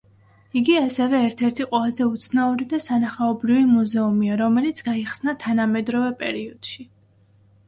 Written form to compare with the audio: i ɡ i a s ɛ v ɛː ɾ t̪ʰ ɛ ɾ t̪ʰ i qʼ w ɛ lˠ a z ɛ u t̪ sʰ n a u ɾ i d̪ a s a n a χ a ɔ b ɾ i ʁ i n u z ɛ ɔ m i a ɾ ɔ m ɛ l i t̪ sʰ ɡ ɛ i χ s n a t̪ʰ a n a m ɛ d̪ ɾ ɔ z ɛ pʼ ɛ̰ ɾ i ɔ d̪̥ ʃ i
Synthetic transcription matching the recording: i ɡ i a s ɛ v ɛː ɾ t̪ʰ ɛ ɾ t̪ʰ i qʼ w ɛ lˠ a z ɛ u t̪ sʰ n a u ɾ i d̪ a s a n a χ a ɔ b ɾ i v i m u z ɛ u m i a ɾ ɔ m ɛ l i t̪ sʰ ɡ a i χ s n a t̪ʰ a n a m ɛ d̪ ɾ ɔ v ɛ pʼ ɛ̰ ɾ i ɔ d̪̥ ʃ i